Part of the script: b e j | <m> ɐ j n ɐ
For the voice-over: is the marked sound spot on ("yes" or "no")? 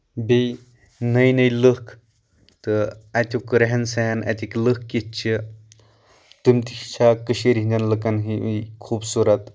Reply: no